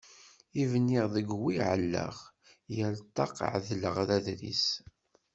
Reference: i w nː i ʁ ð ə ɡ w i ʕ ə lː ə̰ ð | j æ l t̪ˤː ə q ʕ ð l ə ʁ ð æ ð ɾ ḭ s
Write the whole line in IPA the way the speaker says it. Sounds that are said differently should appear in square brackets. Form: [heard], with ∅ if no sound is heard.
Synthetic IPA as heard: i [v] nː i ʁ ð ə ɡ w i ʕ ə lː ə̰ [ʁ] | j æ l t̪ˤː [ɑ] q ʕ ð l ə ʁ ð æ ð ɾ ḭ s